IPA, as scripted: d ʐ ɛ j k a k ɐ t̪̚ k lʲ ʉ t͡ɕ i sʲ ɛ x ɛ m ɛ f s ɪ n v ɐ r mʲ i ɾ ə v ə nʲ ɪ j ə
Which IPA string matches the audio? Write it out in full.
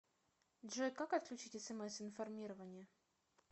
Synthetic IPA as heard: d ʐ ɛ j k a k ɐ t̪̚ k lʲ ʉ t͡ɕ i tʲ ɛ s ɛ m ɛ s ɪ n f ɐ r mʲ i ɾ ə v ə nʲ ɪ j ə